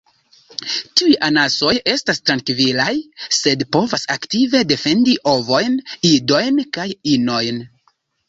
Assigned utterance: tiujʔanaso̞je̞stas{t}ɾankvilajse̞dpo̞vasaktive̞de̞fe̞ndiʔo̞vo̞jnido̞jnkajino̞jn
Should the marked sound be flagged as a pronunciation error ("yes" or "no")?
no